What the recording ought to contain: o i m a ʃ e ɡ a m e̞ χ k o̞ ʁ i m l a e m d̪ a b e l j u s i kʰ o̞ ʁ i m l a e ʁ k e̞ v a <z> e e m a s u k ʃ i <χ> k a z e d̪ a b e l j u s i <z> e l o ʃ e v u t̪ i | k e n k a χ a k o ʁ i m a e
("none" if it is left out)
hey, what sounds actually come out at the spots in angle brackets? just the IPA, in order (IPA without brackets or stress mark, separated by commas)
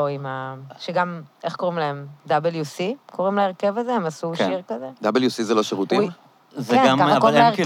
z, ʁ, z